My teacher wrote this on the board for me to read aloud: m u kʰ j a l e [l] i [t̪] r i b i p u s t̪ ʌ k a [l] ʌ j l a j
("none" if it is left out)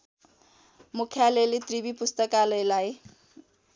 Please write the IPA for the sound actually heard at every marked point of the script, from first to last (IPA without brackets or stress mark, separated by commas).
l, t̪, l